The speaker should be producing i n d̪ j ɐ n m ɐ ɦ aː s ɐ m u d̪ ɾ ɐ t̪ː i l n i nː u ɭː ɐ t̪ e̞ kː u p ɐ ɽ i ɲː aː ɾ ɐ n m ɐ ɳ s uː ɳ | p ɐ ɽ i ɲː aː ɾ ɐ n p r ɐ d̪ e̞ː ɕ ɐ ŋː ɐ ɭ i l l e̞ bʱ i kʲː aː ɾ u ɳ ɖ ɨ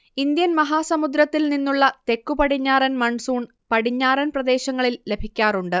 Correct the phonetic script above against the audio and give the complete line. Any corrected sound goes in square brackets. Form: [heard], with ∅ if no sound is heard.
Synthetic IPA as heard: i n d̪ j ɐ n m ɐ ɦ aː s ɐ m u d̪ ɾ ɐ t̪ː i l n i nː u ɭː ɐ t̪ e̞ kː u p ɐ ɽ i ɲː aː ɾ ɐ n m ɐ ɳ s uː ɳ | p ɐ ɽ i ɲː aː ɾ ɐ n p r ɐ d̪ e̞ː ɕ ɐ ŋː ɐ ɭ i l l e̞ bʱ i kʲː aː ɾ u ɳ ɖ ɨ